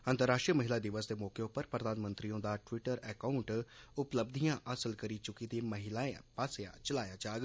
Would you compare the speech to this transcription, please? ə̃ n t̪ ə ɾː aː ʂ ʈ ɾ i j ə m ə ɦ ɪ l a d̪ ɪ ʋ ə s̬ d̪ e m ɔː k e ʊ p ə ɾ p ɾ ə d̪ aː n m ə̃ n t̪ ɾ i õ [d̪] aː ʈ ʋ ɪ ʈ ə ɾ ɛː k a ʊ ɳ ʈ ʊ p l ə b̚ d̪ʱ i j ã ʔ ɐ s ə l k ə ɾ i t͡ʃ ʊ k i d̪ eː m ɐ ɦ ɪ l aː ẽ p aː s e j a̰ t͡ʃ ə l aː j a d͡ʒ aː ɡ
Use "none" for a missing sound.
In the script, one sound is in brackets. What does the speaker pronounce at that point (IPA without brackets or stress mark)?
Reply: d̪